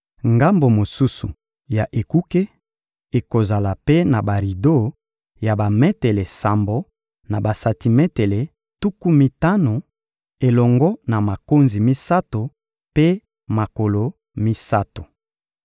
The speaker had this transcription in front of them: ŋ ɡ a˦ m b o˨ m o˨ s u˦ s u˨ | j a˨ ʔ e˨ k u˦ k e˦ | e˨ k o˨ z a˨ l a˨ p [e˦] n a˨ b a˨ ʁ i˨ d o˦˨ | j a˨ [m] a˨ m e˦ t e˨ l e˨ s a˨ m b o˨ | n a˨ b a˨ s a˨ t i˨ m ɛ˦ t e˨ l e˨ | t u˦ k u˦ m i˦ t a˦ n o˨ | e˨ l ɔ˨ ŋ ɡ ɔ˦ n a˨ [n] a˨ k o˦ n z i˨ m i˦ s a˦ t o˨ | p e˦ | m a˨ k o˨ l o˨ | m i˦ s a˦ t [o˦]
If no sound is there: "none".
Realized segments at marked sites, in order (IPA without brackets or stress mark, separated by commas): e˦, b, m, o˨